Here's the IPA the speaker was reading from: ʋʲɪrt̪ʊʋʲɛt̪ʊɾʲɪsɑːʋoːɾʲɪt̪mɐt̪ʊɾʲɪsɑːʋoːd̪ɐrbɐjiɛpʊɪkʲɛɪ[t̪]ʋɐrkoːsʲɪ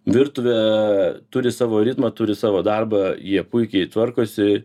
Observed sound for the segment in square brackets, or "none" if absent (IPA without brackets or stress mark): t̪